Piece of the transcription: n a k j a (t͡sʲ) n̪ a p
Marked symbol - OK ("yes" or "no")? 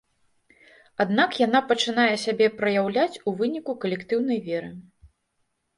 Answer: no